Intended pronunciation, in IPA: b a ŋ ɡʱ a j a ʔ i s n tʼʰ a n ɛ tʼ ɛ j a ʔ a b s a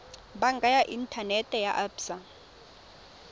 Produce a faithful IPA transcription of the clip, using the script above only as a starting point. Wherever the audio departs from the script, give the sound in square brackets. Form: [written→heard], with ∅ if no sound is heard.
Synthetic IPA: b a ŋ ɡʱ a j a ʔ i [s→∅] n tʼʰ a n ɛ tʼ ɛ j a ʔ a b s a